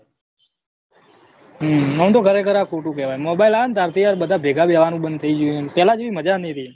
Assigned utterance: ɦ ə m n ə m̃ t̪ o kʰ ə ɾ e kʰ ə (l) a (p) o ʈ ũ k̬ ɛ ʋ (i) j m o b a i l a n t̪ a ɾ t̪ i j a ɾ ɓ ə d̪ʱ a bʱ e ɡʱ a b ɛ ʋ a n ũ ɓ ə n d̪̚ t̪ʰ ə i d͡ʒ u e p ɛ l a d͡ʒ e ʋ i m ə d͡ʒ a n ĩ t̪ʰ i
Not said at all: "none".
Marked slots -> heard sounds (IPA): ɾ, k, a

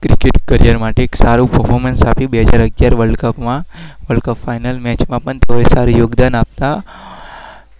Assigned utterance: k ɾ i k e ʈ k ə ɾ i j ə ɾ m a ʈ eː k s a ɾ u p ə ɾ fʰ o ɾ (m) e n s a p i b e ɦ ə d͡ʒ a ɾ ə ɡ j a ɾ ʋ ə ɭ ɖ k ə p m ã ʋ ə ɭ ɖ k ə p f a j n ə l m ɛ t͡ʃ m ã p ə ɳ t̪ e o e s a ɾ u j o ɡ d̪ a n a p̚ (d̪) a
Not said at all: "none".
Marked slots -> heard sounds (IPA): m, t̪

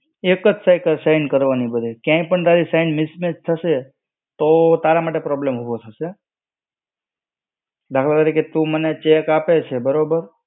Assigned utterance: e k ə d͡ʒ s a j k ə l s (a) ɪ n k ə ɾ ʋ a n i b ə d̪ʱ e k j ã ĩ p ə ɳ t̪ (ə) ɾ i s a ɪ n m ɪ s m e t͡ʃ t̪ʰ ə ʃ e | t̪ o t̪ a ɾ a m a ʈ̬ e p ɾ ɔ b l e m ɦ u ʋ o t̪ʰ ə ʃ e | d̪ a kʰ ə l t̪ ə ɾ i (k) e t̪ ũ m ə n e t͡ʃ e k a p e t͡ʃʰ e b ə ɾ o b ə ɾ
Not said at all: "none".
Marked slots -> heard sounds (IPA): a, a, k

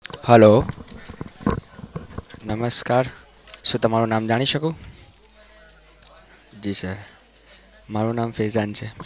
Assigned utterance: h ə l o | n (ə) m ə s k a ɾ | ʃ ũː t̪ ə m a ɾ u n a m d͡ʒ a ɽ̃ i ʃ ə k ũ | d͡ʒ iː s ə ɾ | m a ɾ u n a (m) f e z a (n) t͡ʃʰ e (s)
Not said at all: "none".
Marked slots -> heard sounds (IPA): ə, m, n, none

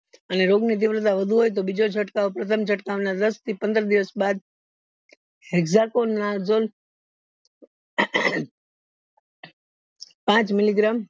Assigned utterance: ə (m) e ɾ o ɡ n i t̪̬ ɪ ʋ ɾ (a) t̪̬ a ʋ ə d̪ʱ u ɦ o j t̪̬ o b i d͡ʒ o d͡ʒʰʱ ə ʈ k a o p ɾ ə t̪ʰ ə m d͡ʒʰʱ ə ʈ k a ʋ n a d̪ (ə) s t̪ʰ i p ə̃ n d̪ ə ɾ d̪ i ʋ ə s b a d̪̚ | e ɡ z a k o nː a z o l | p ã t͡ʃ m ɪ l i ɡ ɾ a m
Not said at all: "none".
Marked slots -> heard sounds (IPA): n, ə, ə

